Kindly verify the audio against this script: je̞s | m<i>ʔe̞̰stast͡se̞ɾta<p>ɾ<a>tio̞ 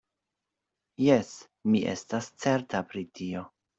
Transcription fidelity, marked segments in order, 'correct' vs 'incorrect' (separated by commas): correct, correct, incorrect